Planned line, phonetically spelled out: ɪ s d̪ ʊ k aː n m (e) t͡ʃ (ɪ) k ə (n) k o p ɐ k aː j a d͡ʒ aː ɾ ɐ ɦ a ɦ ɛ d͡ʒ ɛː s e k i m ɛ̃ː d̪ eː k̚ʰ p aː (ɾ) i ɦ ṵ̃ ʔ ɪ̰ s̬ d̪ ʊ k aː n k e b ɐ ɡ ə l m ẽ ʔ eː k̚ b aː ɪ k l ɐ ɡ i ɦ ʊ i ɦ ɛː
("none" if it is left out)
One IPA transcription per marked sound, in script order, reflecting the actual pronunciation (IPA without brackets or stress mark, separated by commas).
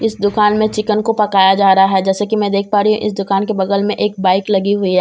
ẽ, ɪ, n, ɾ